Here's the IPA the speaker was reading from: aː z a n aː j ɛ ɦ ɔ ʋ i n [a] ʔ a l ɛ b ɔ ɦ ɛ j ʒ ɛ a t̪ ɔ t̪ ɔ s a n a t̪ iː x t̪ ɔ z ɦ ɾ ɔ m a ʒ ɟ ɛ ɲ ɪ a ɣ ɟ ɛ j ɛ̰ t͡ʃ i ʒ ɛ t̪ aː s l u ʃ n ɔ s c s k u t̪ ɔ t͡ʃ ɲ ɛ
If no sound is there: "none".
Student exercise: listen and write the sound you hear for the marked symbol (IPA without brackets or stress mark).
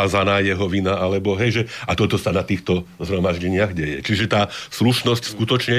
a